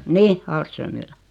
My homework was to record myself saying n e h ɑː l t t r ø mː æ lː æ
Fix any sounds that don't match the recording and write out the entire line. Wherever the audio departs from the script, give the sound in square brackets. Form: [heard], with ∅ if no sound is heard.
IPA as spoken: n [i] h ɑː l [s] t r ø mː [i] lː æ